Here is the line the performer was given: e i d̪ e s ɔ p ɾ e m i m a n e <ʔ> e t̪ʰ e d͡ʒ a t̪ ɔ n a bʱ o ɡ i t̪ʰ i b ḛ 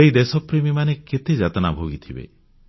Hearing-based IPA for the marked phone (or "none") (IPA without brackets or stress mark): k